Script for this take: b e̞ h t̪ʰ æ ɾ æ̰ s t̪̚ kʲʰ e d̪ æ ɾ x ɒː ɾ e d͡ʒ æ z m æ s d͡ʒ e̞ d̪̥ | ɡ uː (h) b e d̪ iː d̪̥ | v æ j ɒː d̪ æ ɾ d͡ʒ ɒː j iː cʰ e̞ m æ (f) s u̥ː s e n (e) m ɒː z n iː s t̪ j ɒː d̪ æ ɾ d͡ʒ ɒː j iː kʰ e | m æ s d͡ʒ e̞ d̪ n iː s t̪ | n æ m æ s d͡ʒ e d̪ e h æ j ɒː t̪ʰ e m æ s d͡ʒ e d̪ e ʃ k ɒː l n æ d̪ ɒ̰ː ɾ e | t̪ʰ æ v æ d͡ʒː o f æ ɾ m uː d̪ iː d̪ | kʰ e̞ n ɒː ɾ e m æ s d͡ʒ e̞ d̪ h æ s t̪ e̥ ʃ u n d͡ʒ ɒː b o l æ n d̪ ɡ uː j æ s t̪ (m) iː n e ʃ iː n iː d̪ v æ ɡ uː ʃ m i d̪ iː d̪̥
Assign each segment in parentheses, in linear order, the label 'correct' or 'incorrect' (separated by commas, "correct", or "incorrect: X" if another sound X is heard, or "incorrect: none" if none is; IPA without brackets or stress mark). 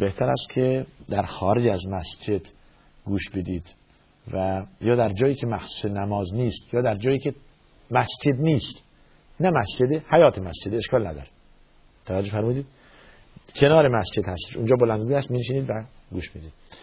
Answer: incorrect: ʃ, incorrect: x, incorrect: æ, correct